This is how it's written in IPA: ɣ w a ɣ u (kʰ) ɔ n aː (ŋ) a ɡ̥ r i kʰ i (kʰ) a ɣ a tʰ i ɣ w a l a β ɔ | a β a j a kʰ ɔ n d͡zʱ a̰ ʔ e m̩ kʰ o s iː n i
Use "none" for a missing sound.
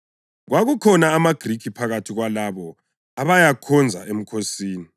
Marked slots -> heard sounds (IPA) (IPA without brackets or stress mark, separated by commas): kʰ, m, pʰ